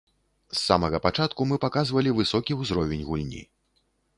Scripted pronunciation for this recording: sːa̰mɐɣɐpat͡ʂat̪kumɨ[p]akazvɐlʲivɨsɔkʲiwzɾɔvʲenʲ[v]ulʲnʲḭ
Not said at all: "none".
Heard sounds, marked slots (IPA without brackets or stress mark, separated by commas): p, ɣ